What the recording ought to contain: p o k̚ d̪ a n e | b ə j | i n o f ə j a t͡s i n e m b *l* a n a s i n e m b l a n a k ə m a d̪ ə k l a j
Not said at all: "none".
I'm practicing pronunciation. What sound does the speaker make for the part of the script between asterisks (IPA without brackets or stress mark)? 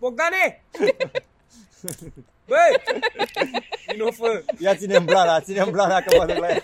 l